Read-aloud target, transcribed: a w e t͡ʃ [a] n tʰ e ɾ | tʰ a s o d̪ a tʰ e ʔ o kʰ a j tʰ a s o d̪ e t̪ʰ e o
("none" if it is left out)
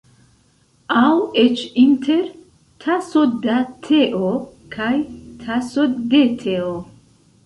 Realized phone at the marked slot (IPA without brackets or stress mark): i